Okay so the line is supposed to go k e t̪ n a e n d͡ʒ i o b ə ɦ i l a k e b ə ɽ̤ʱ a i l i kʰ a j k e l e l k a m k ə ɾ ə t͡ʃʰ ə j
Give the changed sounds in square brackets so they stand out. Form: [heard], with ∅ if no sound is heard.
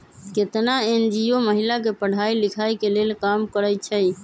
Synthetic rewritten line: k e t̪ n a e n d͡ʒ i o [m] ə ɦ i l a k e [p] ə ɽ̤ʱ a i l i kʰ a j k e l e l k a m k ə ɾ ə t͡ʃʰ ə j